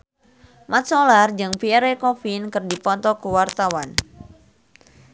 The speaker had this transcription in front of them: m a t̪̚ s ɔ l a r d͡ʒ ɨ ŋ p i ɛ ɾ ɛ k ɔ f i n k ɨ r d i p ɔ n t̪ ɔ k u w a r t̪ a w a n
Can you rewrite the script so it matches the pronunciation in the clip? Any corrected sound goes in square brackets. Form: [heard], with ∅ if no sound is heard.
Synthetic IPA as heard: m a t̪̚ s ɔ l a r d͡ʒ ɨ ŋ p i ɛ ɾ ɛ k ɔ f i n k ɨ r d i p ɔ n t̪ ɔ k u w a r t̪ a w a n